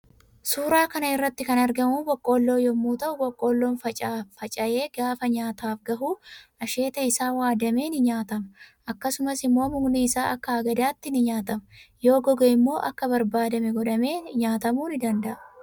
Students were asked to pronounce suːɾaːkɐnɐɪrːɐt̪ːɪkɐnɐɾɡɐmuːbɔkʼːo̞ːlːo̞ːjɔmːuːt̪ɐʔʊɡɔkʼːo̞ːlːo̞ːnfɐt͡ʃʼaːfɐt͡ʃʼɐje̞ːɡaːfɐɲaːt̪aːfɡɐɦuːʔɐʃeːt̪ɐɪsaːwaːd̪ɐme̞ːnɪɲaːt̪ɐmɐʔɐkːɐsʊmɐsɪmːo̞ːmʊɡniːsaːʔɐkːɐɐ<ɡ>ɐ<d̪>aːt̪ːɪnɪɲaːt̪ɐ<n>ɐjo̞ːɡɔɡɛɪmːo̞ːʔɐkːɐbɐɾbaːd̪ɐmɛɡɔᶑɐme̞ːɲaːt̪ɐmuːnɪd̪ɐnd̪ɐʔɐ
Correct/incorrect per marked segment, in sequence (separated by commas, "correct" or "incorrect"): correct, correct, incorrect